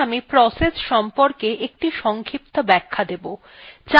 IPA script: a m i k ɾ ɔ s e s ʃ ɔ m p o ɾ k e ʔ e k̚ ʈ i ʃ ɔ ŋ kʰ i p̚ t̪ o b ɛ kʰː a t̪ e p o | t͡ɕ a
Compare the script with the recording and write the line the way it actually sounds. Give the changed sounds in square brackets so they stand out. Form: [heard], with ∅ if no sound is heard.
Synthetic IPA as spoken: a m i [p] ɾ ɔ s e s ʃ ɔ m p o ɾ k e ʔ e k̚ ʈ i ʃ ɔ ŋ kʰ i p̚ t̪ o b ɛ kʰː a [d̪] e [b] o | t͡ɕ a